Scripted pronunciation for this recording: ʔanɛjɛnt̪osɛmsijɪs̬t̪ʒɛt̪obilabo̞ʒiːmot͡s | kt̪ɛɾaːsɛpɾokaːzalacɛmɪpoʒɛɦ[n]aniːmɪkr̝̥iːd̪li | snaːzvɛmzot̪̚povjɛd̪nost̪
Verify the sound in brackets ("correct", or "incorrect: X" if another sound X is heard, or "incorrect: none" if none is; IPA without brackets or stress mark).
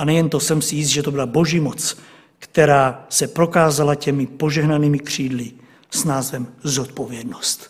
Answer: correct